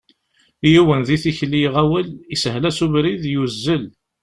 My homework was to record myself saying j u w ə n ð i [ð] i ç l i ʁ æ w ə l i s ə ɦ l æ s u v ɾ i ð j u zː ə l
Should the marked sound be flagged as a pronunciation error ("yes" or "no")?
yes